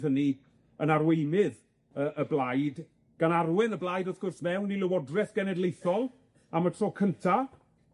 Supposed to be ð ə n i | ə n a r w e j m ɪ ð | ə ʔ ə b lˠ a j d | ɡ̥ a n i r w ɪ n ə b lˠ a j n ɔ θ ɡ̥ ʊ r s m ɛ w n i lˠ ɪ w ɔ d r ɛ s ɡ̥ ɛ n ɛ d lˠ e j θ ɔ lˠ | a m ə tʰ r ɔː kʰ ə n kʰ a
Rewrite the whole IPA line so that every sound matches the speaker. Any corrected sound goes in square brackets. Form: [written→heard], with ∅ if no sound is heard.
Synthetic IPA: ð ə n i | ə n a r w e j m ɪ ð | ə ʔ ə b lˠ a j d | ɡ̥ a n [i→a] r w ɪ n ə b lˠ a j [n→d] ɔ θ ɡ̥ ʊ r s m ɛ w n i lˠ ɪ w ɔ d r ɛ [s→θ] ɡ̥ ɛ n ɛ d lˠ e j θ ɔ lˠ | a m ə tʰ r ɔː kʰ ə n [kʰ→tʰ] a